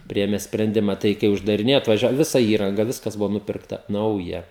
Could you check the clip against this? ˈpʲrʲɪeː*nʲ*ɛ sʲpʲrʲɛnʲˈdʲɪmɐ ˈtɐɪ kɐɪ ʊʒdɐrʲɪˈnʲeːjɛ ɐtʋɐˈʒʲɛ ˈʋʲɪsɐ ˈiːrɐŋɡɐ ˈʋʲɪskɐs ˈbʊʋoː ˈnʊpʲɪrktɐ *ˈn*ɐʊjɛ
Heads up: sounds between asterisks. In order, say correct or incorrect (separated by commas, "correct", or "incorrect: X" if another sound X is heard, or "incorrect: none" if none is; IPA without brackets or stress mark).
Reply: incorrect: mʲ, correct